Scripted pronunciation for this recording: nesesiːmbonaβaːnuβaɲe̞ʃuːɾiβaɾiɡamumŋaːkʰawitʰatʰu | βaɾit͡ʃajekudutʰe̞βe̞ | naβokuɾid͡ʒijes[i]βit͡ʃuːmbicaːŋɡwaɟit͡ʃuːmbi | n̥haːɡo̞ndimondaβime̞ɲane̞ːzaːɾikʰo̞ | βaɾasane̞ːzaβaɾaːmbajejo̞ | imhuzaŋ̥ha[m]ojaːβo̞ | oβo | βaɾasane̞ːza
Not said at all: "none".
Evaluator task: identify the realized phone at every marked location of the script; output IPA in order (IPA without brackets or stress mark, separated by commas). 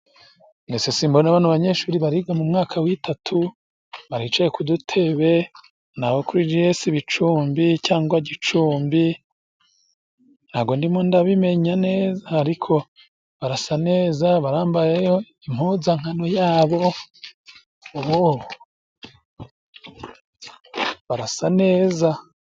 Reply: i, n